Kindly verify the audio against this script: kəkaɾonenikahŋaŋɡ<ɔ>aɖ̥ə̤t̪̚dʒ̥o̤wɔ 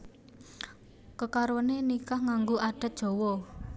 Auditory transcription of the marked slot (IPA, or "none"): o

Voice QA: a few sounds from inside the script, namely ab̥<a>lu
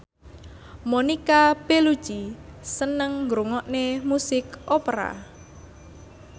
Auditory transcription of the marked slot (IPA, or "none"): e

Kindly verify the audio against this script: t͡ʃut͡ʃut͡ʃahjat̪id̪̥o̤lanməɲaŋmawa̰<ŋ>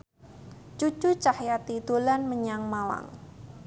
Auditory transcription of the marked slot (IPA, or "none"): ŋ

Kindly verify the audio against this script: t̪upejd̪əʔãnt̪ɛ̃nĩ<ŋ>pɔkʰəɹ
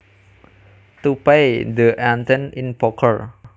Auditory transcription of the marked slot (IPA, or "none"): n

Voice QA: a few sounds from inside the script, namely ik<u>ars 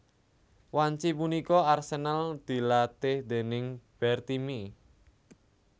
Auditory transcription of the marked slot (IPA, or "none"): ɔ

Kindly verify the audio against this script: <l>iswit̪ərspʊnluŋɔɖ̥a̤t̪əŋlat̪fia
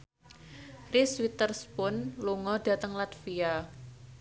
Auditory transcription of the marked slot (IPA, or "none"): r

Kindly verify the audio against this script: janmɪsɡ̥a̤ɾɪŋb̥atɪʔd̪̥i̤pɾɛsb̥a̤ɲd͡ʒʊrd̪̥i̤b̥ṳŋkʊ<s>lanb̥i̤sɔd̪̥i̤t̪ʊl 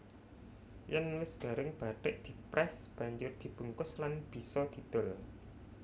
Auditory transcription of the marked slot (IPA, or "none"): s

